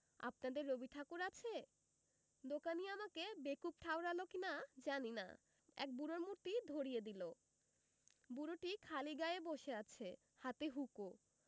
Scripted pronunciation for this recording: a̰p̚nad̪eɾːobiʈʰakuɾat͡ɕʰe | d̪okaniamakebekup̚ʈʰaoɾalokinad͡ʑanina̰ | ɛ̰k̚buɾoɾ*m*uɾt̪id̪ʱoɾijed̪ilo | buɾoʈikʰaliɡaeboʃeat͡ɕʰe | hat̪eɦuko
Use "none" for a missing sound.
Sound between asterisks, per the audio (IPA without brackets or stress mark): m